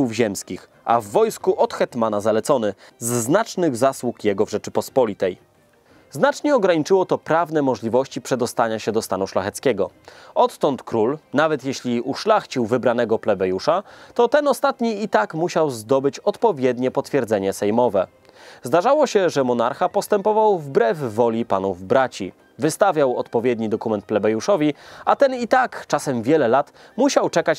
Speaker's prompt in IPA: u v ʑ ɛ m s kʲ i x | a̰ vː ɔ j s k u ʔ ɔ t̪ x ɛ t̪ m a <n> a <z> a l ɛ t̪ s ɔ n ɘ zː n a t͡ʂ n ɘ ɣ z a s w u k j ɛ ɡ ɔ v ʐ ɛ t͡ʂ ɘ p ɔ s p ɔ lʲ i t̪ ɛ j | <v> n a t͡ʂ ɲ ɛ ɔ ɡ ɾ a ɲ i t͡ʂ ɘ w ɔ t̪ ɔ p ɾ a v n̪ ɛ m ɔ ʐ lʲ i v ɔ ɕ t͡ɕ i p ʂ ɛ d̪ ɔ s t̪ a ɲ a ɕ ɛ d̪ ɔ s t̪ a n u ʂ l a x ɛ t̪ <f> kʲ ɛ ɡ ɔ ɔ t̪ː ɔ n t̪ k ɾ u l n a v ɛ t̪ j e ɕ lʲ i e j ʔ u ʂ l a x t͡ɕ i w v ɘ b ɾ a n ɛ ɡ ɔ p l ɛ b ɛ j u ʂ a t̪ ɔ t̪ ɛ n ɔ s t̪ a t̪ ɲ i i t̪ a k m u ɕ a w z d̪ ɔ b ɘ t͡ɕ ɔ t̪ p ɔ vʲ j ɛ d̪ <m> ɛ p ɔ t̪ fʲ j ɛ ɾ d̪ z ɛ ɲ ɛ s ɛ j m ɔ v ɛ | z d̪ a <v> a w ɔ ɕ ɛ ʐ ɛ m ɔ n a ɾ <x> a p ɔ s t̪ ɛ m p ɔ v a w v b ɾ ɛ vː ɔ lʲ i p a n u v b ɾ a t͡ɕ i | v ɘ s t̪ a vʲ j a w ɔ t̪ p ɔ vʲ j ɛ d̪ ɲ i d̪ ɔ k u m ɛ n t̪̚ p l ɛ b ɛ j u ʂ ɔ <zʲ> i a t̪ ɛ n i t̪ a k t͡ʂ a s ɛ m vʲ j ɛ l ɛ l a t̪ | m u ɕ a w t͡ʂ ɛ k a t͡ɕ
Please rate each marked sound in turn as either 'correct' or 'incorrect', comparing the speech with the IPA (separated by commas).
correct, correct, incorrect, incorrect, incorrect, incorrect, correct, incorrect